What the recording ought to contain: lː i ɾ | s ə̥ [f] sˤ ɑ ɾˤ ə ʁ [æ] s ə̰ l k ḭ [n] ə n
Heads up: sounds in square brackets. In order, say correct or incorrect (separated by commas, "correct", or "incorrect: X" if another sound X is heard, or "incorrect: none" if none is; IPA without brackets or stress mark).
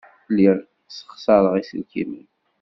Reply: incorrect: χ, incorrect: i, incorrect: m